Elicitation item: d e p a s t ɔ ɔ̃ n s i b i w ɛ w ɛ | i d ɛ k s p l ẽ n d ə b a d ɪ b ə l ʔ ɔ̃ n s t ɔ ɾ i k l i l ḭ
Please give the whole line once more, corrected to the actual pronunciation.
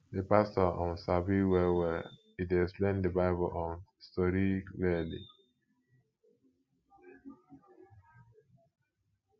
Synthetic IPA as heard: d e p a s t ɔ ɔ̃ n s a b i w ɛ w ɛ | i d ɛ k s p l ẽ n d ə b a ɪ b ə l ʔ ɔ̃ n s t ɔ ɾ i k l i l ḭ

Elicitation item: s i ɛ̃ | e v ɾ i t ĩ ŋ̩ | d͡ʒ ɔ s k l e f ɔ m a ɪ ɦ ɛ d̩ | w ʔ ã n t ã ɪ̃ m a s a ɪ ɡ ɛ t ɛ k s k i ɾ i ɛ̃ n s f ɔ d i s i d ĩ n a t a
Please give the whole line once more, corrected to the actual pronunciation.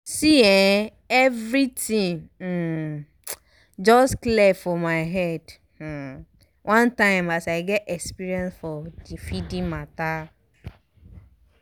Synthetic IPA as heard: s i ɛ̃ | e v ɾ i t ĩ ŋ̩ | d͡ʒ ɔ s k l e f ɔ m a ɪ ɦ ɛ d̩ | w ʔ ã n t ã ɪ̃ m a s a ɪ ɡ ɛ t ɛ k s p i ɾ i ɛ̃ n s f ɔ d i f i d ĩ m a t a

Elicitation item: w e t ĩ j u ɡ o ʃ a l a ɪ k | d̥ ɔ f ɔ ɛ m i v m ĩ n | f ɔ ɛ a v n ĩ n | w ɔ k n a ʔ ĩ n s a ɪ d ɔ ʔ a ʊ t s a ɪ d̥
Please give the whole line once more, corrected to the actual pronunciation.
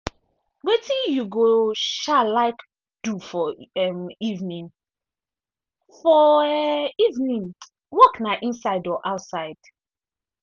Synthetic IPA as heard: w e t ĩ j u ɡ o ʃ a l a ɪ k | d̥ u f ɔ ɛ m i v n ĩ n | f ɔ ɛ i v n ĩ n | w ɔ k n a ʔ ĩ n s a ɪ d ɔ ʔ a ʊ t s a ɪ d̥

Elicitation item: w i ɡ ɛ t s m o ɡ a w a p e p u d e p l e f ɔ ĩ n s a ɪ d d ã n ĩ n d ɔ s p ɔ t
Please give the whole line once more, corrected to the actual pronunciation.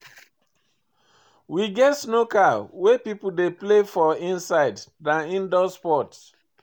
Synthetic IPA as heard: w i ɡ ɛ t s n o k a w e p i p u d e p l e f ɔ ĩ n s a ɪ d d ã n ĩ n d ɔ s p ɔ t

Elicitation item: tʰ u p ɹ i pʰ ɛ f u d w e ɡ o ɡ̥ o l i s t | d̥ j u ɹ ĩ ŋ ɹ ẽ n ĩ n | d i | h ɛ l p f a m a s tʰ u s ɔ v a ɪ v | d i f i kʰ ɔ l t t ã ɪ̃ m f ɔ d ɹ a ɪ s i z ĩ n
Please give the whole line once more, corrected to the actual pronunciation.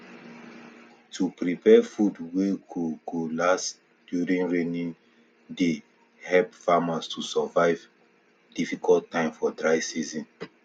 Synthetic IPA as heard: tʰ u p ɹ i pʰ ɛ f u d w e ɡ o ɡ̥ o l a s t | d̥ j u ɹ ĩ ŋ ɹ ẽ n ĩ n | d e | h ɛ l p f a m a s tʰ u s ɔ v a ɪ v | d i f i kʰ ɔ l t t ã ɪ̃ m f ɔ d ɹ a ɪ s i z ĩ n

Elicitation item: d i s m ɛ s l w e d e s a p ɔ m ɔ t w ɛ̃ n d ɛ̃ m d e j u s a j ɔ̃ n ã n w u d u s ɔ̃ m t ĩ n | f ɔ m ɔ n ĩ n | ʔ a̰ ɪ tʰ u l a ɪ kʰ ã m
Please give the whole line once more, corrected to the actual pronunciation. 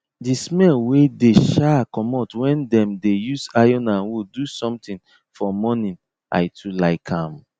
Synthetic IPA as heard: d i s m ɛ l w e d e ʃ a k ɔ m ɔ t w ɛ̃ n d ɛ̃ m d e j u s a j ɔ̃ n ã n w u d u s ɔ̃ m t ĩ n | f ɔ m ɔ n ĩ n | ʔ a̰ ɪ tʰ u l a ɪ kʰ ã m

